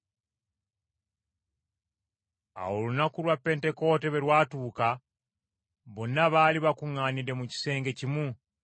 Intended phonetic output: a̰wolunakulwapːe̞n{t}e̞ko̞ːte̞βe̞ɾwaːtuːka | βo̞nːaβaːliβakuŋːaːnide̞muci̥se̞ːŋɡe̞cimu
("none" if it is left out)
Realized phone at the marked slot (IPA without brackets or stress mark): t